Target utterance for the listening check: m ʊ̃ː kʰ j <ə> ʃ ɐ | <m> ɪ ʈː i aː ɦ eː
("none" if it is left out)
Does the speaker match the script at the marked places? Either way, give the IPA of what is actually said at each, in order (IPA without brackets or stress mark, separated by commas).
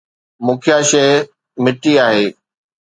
a, m